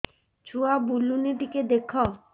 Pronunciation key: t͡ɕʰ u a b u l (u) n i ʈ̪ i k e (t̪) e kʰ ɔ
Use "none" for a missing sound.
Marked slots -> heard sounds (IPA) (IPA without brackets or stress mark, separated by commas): u, d̪